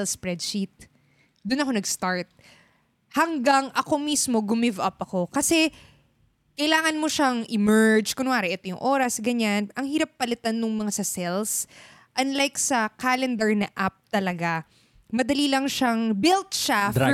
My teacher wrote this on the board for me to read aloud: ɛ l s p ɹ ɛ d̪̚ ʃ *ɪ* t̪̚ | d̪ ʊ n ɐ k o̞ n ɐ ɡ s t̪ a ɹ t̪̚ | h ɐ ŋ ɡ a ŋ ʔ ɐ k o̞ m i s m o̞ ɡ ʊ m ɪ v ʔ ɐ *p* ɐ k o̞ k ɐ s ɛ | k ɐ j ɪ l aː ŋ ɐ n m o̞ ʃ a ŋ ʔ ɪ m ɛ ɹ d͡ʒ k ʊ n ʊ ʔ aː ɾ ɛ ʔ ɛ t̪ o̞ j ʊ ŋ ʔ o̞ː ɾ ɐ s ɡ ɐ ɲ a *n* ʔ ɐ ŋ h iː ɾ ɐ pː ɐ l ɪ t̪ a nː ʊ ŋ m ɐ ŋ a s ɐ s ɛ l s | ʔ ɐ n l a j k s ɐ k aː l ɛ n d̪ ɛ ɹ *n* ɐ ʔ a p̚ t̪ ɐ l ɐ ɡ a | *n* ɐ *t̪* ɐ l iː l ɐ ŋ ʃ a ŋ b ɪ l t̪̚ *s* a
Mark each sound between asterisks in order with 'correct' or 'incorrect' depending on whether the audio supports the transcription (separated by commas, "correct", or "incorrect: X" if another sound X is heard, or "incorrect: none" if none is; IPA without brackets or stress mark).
incorrect: i, correct, correct, correct, incorrect: m, incorrect: d̪, incorrect: ʃ